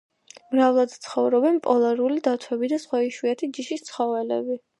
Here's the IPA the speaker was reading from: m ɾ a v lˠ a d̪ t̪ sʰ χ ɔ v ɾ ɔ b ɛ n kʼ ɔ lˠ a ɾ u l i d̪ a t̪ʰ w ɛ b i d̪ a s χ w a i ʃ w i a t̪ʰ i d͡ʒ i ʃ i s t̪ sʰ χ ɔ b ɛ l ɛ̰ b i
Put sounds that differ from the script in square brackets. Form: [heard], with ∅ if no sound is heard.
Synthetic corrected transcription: m ɾ a v lˠ a d̪ t̪ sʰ χ ɔ v ɾ ɔ b ɛ n [pʼ] ɔ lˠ a ɾ u l i d̪ a t̪ʰ w ɛ b i d̪ a s χ w a i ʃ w i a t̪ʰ i d͡ʒ i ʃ i s t̪ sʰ χ ɔ [v] ɛ l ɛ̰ b i